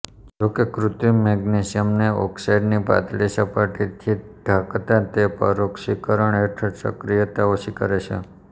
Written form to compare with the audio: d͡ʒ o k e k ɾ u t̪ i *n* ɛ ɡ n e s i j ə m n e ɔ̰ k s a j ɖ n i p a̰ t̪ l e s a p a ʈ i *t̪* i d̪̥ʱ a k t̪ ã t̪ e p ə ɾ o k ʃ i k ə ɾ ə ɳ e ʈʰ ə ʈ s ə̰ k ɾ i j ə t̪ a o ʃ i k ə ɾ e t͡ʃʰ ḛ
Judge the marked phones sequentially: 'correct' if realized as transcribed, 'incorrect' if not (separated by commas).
incorrect, incorrect